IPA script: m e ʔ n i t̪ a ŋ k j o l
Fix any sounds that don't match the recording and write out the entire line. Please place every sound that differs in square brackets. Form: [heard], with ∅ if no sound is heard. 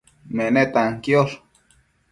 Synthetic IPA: m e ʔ n [e] t̪ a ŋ k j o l